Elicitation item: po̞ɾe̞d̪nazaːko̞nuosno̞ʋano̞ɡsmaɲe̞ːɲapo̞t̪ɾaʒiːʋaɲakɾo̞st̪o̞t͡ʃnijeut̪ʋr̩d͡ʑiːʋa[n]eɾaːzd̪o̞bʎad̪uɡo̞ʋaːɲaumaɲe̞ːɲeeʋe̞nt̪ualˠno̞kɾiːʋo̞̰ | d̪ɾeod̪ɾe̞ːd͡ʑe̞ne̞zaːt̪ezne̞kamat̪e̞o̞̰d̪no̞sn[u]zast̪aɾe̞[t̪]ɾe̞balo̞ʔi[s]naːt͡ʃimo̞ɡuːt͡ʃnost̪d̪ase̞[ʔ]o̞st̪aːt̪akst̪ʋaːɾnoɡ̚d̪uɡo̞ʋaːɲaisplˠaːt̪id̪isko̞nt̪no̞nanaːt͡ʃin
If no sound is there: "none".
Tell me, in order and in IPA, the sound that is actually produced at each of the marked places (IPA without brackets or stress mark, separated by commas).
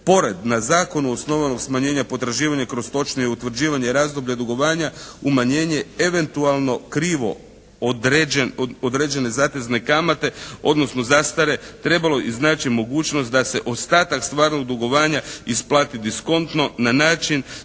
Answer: ɲ, o, t̪, z, ʔ